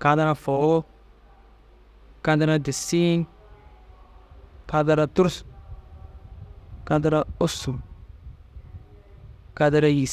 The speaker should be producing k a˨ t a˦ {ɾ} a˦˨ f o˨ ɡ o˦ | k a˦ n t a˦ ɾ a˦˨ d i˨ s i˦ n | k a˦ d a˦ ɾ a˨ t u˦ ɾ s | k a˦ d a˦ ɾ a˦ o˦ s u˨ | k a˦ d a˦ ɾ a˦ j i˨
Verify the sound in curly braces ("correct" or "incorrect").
correct